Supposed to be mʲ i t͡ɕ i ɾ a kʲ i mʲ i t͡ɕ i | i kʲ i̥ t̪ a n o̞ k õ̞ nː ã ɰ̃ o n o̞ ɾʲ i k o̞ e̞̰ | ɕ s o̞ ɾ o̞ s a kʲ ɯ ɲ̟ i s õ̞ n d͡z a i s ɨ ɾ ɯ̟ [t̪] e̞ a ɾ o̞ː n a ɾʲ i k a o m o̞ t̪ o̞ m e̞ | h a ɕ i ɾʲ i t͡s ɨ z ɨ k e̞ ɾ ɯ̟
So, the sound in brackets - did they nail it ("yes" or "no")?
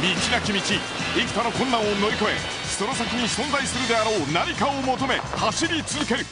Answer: no